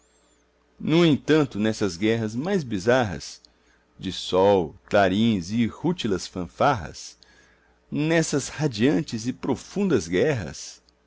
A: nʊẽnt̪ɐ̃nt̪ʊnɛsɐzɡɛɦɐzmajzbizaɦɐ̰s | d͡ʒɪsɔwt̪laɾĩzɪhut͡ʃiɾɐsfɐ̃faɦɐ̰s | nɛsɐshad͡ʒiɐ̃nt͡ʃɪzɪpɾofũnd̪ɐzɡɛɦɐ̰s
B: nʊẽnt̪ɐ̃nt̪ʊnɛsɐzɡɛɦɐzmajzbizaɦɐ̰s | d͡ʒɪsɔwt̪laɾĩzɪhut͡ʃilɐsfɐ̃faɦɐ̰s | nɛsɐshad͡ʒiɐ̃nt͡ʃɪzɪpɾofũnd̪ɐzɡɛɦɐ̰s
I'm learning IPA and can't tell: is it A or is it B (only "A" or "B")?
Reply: B